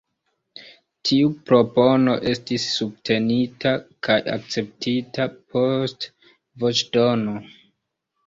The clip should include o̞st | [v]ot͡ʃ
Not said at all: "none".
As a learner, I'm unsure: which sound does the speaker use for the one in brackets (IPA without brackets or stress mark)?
v